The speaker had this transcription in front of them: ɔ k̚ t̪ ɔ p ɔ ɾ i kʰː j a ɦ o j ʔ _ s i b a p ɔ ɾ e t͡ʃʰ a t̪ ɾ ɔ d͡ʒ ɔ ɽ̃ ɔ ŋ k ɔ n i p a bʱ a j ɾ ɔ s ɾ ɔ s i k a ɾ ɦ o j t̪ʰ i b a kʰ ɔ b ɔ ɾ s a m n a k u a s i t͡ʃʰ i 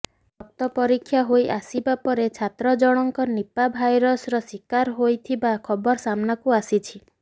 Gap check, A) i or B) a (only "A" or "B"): B